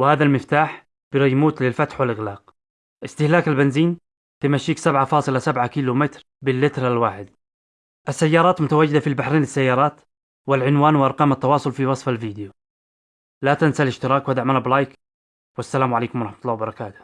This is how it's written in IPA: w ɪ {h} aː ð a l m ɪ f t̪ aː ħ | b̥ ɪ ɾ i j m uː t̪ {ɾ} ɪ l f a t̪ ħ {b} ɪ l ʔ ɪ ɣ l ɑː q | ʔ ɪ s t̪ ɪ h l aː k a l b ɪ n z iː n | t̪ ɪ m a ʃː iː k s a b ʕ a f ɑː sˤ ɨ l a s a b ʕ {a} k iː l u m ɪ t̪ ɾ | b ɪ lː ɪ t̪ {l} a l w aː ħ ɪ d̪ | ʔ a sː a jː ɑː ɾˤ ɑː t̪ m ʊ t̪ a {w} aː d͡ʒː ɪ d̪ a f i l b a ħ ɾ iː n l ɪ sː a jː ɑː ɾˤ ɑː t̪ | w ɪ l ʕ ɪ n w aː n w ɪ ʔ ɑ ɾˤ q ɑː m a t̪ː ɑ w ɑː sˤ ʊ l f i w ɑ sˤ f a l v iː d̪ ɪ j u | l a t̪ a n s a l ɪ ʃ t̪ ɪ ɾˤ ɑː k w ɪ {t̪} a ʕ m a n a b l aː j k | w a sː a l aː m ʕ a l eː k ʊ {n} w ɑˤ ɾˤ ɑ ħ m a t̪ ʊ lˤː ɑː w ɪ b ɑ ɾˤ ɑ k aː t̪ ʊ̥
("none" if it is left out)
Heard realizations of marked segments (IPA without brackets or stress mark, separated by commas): h, l, w, a, ɾ, w, d̪, m